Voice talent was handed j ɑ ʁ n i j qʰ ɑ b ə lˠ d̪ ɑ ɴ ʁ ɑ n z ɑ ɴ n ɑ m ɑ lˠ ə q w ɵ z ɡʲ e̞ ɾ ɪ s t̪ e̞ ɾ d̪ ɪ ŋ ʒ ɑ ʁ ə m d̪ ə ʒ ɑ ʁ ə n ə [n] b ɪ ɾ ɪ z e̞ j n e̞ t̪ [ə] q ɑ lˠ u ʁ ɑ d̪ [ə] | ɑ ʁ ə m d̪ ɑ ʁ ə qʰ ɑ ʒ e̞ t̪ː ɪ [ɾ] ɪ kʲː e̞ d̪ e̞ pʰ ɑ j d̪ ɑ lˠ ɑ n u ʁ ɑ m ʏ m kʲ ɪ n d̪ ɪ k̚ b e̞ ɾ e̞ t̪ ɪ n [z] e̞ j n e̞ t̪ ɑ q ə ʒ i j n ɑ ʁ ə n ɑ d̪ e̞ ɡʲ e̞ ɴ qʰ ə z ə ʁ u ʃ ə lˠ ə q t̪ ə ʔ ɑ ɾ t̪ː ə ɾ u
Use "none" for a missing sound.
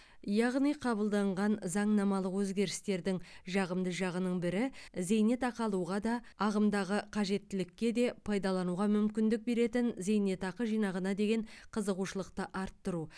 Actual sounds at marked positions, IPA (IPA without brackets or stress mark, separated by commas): ɴ, ɑ, ɑ, l, z